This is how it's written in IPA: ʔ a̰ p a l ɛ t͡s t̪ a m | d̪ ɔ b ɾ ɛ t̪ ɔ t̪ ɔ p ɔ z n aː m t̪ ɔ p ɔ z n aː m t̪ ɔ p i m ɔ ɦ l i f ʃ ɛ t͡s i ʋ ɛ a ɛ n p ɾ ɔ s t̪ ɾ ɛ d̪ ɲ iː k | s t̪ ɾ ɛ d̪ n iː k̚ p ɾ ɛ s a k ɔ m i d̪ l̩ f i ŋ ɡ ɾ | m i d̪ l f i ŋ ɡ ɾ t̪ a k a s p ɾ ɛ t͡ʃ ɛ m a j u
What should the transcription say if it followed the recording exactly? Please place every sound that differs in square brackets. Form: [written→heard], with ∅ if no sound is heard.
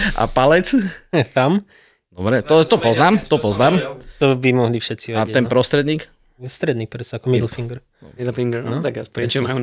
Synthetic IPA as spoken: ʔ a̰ p a l ɛ t͡s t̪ a m | d̪ ɔ b ɾ ɛ t̪ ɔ t̪ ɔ p ɔ z n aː m t̪ ɔ p ɔ z n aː m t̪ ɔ [p→b] i m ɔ ɦ l i f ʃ ɛ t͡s i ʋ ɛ a ɛ n p ɾ ɔ s t̪ ɾ ɛ d̪ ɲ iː k | s t̪ ɾ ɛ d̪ n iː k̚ p ɾ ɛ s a k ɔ m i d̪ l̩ f i ŋ ɡ ɾ | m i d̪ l f i ŋ ɡ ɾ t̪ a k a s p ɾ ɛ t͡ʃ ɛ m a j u